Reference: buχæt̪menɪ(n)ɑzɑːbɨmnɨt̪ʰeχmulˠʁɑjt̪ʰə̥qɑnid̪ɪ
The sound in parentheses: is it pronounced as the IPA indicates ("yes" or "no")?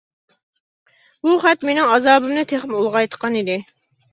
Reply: no